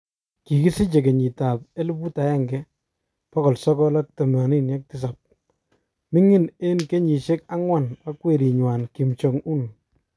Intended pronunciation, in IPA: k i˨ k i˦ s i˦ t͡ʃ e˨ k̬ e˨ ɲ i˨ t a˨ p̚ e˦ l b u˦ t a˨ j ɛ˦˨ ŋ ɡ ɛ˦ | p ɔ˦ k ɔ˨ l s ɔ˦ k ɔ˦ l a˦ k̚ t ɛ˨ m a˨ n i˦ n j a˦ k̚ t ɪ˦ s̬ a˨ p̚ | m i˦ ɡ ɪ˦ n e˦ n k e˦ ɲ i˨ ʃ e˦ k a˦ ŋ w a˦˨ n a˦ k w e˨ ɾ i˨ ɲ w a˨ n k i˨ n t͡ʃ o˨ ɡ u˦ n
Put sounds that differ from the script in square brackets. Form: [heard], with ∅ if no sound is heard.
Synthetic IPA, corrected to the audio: k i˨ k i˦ s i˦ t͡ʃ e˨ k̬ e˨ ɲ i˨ t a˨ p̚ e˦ l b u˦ t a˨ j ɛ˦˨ ŋ ɡ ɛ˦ | p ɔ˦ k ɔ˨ l s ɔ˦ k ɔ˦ l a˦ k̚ t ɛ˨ m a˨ n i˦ n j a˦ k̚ t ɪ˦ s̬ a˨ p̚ | m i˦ [ŋ] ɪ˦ n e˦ n k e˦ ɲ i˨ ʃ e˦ k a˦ ŋ w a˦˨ n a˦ k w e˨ ɾ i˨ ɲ w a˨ n k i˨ [m] t͡ʃ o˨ [ŋ] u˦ n